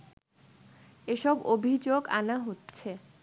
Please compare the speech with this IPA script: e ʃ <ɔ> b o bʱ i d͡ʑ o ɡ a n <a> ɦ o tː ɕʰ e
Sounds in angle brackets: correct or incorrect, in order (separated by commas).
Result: correct, correct